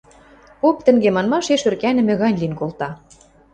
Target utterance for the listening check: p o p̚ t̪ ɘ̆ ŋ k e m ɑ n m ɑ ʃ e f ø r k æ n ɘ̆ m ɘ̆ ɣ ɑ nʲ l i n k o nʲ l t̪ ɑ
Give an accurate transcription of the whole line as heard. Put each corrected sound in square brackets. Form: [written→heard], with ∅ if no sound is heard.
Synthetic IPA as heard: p o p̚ t̪ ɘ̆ ŋ [k→ɡ] e m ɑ n m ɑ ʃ e [f→ʃ] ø r k æ n ɘ̆ m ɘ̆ ɣ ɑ nʲ l i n k o [nʲ→∅] l t̪ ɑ

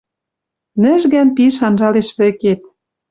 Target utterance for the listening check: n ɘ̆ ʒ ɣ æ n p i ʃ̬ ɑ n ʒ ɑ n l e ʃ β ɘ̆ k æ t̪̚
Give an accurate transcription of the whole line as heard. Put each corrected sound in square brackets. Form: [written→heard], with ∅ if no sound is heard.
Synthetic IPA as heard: n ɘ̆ ʒ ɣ æ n p i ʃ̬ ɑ n ʒ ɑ [n→∅] l e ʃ β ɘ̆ k [æ→e] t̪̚

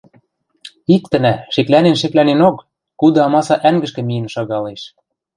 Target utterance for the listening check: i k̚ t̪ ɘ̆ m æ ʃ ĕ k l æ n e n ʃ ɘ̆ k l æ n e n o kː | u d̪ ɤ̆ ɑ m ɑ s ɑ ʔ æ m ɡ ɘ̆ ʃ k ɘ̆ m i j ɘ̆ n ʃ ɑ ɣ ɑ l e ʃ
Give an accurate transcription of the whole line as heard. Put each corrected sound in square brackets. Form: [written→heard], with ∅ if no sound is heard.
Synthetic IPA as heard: i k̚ t̪ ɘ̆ [m→n] æ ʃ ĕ k l æ n e n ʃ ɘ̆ k l æ n e n o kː | u d̪ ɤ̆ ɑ m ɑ s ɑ ʔ æ [m→ŋ] ɡ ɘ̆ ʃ k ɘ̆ m i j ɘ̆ n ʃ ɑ ɣ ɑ l e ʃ

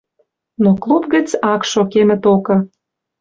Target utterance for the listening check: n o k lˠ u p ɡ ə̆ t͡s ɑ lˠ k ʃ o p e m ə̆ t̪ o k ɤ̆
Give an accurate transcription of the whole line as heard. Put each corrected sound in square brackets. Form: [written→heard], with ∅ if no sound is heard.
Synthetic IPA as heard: n o k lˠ u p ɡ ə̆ t͡s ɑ [lˠ→∅] k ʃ o [p→k] e m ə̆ t̪ o k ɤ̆

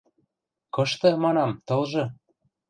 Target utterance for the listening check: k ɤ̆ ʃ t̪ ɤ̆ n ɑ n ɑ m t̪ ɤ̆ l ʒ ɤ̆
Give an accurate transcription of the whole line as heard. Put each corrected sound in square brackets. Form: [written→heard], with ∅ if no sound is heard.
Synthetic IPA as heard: k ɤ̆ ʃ t̪ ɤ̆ [n→m] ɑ n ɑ m t̪ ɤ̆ l ʒ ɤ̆

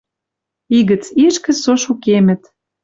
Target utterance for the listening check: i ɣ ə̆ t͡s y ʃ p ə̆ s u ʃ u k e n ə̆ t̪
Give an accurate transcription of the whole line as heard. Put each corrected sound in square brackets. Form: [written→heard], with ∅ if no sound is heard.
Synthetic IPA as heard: i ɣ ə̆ t͡s [y→i] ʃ [p→k] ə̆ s [u→o] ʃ u k e [n→m] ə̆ t̪

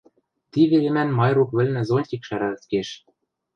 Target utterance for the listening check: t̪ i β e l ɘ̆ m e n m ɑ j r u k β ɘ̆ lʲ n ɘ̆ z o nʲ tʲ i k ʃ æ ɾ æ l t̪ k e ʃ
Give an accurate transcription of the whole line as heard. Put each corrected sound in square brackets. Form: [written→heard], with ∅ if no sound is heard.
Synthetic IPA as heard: t̪ i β e l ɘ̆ m [e→æ] n m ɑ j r u k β ɘ̆ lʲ n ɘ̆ z o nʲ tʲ i k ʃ æ ɾ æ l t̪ k e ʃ

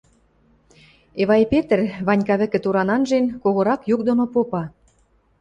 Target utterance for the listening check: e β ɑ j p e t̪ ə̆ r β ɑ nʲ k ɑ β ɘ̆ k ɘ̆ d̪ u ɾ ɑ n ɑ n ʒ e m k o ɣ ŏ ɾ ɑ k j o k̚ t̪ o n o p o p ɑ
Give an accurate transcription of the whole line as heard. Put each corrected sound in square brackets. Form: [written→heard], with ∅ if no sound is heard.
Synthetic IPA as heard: e β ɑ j p e t̪ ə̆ r β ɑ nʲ k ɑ β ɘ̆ k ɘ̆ [d̪→t̪] u ɾ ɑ n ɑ n ʒ e [m→n] k o ɣ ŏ ɾ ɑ k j [o→u] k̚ [t̪→d̪] o n o p o p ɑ

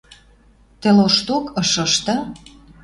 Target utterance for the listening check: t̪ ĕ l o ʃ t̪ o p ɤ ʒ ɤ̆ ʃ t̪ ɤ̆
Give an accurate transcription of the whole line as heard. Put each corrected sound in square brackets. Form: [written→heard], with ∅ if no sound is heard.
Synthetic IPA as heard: t̪ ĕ l o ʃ t̪ o [p→k] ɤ [ʒ→ʃ] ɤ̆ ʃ t̪ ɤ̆

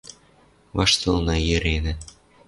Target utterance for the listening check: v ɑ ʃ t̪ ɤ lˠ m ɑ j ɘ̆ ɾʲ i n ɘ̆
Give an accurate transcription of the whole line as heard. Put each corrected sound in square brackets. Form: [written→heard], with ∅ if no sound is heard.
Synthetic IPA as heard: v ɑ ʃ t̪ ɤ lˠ [m→n] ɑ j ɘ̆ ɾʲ [i→e] n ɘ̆

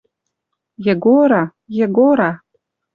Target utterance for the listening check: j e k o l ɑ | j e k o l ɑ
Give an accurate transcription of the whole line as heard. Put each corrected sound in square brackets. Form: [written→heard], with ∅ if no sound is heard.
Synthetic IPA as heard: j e [k→ɡ] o [l→ɾ] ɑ | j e [k→ɡ] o [l→ɾ] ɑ

